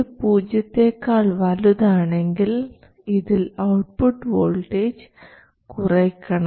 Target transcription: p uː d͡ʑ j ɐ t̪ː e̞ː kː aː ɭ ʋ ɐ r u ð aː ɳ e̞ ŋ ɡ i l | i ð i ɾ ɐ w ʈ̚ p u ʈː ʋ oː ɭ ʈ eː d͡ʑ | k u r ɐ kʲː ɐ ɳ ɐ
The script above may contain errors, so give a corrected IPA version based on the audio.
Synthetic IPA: p uː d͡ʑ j ɐ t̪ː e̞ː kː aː ɭ ʋ ɐ l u ð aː ɳ e̞ ŋ ɡ i l | i ð i l ɐ w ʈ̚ p u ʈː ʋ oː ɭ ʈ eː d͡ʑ | k u r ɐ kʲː ɐ ɳ ɐ